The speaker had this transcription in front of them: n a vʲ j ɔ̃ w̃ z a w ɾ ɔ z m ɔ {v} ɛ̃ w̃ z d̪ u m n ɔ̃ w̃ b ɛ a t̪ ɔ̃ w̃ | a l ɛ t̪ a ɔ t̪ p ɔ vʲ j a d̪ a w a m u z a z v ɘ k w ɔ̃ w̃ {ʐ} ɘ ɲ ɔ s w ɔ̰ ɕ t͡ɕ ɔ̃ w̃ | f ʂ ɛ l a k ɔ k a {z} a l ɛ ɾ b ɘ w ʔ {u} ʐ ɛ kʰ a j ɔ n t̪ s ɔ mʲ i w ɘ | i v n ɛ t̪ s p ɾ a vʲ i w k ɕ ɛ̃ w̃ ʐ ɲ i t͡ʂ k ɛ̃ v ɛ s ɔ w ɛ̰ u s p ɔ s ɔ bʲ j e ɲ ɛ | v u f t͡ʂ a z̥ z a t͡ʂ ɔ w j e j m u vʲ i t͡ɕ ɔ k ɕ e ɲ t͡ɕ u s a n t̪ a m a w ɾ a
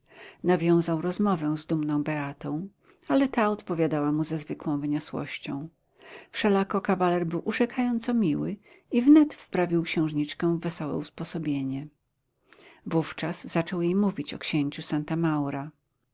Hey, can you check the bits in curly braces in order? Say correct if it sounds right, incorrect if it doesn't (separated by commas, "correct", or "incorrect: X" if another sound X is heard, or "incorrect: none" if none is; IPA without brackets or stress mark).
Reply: correct, incorrect: v, incorrect: v, correct